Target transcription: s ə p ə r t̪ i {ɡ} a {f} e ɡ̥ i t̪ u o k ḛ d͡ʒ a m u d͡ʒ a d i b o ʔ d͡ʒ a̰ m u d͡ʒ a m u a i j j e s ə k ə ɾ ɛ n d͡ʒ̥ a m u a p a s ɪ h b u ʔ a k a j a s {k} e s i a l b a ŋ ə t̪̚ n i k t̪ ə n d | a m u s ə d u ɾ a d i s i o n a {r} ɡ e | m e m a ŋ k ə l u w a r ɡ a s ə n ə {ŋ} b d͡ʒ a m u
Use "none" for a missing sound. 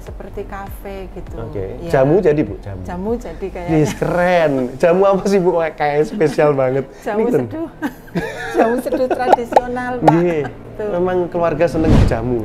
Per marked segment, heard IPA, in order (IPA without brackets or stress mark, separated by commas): k, f, p, l, ŋ